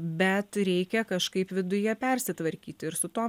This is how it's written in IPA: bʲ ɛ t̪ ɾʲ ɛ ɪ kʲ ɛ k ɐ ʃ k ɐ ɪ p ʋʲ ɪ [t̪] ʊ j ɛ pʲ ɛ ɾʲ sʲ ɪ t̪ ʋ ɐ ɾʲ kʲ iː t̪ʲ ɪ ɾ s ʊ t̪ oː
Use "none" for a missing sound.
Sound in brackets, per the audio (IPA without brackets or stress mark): d̪